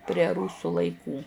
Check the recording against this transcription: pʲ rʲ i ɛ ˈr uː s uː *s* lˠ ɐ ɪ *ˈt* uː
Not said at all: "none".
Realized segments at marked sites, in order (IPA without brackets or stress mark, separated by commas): none, k